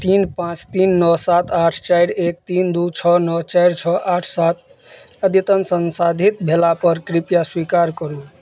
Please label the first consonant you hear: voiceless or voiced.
voiceless